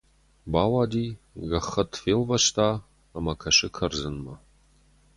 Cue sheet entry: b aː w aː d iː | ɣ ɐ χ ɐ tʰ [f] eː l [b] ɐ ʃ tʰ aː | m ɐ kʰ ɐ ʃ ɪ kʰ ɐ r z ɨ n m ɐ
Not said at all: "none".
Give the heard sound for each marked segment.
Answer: f, v

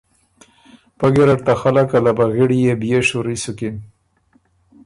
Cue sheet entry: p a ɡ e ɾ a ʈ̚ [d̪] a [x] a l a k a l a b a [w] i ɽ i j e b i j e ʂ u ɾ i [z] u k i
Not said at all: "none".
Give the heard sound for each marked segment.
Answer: t̪, x, ɣ, s

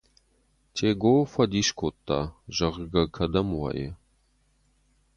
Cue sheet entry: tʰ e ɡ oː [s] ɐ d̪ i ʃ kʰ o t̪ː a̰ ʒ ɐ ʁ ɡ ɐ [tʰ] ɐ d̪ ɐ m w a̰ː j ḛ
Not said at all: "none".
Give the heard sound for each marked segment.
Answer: f, kʰ

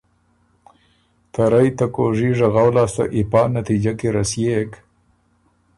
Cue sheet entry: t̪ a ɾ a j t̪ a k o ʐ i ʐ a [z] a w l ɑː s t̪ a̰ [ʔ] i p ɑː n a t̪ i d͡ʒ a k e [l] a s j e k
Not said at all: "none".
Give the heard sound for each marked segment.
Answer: ɣ, ʔ, ɾ

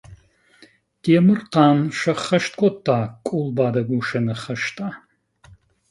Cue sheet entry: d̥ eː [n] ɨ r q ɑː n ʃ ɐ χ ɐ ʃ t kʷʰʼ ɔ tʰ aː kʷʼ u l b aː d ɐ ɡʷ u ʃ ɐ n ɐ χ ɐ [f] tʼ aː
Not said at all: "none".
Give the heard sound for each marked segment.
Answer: m, ʃ

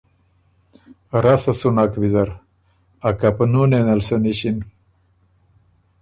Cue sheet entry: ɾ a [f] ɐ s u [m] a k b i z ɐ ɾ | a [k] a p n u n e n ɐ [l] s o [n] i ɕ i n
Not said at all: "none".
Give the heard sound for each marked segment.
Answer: s, n, k, l, n

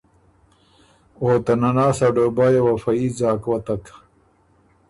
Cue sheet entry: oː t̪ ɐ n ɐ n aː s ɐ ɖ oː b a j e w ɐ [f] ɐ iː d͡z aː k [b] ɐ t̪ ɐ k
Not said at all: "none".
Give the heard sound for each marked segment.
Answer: f, w

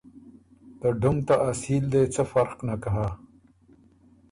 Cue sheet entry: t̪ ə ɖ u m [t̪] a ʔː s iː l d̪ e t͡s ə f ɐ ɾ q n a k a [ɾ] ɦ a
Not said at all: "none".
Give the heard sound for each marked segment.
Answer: t̪, none

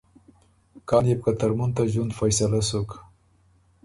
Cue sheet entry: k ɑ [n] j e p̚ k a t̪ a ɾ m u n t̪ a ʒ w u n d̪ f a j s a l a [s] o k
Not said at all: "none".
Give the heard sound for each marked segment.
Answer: n, s

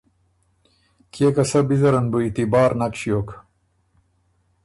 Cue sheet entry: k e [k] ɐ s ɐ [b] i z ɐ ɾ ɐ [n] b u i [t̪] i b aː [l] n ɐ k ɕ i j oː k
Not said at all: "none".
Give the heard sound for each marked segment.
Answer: k, b, n, t̪, ɾ

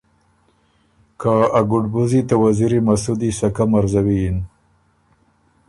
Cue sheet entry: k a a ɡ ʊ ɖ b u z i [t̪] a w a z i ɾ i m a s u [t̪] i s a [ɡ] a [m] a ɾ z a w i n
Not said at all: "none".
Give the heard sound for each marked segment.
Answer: t̪, d̪, k, m

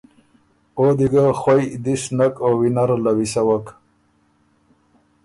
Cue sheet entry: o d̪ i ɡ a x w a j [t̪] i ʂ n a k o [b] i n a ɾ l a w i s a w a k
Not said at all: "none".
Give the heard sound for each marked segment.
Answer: d̪, w

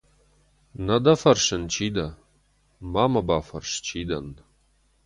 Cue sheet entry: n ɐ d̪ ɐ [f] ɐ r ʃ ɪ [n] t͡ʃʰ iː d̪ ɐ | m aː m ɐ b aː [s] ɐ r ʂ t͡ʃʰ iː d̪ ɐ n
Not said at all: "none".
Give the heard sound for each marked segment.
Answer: f, n, f

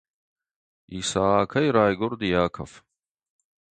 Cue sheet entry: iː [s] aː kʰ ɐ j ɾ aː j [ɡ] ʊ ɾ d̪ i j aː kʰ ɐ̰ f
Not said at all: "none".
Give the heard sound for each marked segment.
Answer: s, ɡ

